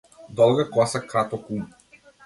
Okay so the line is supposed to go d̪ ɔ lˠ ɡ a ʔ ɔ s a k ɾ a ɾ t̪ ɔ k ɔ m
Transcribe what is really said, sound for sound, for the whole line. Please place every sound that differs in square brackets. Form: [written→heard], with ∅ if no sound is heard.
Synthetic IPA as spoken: d̪ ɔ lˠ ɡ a [ʔ→k] ɔ s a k ɾ a [ɾ→∅] t̪ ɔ k [ɔ→u] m